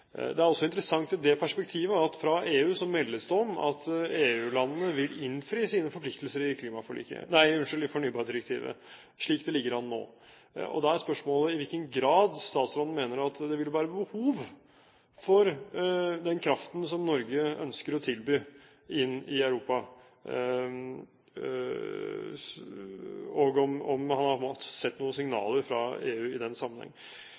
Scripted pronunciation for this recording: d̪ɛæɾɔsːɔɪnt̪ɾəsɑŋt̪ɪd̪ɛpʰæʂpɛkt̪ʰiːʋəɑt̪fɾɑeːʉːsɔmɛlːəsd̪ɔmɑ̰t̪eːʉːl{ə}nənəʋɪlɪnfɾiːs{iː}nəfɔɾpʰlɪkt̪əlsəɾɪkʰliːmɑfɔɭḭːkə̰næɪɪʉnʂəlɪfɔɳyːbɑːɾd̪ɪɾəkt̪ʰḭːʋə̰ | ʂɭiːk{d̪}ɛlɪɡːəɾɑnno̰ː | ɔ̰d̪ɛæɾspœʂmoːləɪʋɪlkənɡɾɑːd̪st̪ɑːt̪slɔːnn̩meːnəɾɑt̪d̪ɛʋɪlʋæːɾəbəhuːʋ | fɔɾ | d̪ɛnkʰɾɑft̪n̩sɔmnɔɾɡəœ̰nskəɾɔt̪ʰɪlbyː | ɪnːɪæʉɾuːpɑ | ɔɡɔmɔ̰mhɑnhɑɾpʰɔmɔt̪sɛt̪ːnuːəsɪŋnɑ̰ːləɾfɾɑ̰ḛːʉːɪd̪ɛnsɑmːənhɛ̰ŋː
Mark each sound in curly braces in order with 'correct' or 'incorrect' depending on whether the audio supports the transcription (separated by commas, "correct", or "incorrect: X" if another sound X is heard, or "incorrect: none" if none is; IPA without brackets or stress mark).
incorrect: ɑ, correct, correct